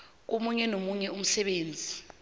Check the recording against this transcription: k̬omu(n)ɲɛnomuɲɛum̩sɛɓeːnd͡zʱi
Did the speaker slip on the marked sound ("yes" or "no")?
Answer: yes